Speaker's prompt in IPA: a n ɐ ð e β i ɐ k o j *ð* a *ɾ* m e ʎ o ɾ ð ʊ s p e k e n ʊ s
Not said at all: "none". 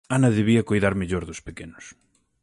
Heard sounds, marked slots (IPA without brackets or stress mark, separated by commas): ð, ɾ